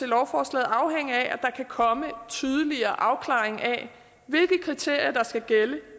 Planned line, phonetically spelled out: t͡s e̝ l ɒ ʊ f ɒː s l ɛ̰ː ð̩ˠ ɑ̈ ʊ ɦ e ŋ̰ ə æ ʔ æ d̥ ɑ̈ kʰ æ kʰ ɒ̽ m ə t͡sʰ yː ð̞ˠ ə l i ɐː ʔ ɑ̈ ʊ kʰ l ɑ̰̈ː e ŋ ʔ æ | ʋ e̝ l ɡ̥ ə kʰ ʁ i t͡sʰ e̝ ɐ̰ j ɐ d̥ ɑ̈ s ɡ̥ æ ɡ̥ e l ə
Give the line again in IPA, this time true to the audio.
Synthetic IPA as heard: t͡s e̝ l ɒ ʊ f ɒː s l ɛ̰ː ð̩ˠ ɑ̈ ʊ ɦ e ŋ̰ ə æ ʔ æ d̥ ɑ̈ kʰ æ kʰ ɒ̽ m ə t͡sʰ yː ð̞ˠ ə l i ɐː ʔ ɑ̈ ʊ kʰ l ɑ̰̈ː e ŋ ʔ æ | ʋ e̝ l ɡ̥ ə kʰ ʁ i t͡sʰ e̝ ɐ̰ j ɐ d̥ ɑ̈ s ɡ̥ æ ɡ̥ e l ə